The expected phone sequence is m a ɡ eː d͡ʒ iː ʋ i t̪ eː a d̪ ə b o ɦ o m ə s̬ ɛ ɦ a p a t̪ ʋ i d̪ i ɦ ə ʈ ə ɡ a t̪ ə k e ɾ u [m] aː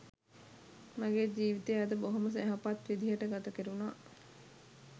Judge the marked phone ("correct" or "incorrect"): incorrect